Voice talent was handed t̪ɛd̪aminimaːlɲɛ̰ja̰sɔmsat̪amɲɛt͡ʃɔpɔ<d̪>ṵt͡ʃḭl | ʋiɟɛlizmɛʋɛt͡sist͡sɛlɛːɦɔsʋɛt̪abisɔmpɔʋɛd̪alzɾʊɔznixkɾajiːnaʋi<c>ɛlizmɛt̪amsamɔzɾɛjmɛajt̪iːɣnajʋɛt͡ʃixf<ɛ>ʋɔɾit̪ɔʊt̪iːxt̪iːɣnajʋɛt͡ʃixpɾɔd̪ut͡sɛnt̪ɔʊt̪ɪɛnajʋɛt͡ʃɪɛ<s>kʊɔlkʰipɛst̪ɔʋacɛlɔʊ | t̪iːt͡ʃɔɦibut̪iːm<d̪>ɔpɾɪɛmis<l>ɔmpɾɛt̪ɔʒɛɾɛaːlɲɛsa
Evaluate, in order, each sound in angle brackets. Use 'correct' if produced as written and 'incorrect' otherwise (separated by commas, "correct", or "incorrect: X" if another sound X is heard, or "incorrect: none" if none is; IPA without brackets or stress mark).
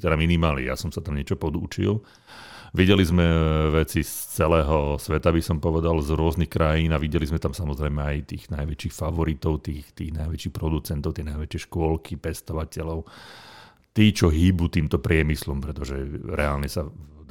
correct, incorrect: ɟ, incorrect: a, incorrect: ʃ, incorrect: t̪, correct